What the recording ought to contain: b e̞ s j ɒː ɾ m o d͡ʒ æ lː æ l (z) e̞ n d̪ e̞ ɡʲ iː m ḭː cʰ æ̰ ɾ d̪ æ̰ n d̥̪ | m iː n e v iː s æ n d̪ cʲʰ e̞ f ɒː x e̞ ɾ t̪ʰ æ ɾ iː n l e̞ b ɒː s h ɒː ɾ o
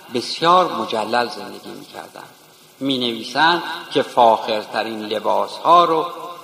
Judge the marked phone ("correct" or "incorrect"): correct